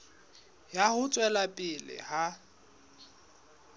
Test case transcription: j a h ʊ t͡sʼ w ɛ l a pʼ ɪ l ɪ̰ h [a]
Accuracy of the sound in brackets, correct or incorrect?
correct